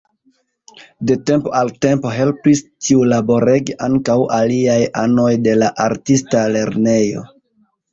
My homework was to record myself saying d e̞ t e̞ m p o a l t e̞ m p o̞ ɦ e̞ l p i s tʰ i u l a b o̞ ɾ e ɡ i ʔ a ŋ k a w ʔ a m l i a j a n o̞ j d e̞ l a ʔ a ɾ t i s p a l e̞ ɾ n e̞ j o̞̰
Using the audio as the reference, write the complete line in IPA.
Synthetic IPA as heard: d e̞ t e̞ m p o a l t e̞ m p o̞ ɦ e̞ l p i s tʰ i u l a b o̞ ɾ e ɡ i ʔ a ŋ k a w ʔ a l i a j a n o̞ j d e̞ l a ʔ a ɾ t i s t a l e̞ ɾ n e̞ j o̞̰